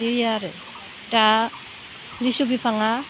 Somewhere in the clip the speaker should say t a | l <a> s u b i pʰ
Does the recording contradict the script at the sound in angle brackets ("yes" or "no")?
yes